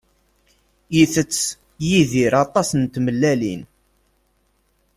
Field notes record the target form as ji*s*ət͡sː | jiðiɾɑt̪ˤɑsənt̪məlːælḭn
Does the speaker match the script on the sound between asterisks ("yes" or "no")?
no